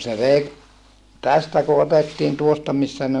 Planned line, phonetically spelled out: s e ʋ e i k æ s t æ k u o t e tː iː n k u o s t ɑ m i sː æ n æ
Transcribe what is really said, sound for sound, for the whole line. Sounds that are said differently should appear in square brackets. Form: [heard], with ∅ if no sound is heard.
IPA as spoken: s e ʋ e i [t] æ s t æ k u o t e tː iː n [t] u o s t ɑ m i sː æ n [e]